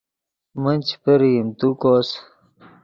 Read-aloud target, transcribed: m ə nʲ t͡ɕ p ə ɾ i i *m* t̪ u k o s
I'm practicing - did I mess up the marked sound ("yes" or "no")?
no